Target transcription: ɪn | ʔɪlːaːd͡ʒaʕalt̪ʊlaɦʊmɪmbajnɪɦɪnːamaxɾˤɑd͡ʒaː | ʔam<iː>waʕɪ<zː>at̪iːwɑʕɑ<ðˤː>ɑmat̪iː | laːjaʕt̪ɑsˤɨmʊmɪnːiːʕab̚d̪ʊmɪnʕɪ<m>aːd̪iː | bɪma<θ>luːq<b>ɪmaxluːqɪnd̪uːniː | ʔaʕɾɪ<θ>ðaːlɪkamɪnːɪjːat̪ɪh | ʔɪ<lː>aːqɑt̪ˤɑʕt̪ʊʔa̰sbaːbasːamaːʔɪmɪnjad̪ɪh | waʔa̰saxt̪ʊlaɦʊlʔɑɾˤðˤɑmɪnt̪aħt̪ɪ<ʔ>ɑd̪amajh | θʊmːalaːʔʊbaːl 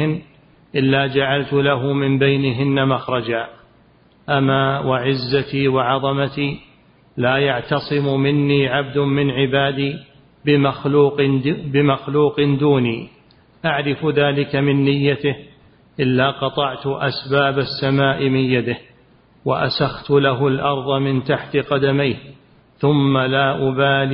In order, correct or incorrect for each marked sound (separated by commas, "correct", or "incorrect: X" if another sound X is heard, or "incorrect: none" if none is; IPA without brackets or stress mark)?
incorrect: aː, correct, incorrect: ðˤ, incorrect: b, incorrect: x, correct, incorrect: f, correct, incorrect: q